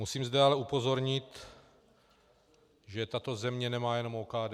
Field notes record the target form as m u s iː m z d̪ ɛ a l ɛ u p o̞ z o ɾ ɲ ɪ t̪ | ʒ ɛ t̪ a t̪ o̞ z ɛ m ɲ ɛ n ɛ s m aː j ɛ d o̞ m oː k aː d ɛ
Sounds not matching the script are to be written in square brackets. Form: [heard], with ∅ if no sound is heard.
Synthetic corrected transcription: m u s iː m z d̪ ɛ a l ɛ u p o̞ z o ɾ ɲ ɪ t̪ | ʒ ɛ t̪ a t̪ o̞ z ɛ m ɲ ɛ n ɛ [∅] m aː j ɛ [n] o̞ m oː k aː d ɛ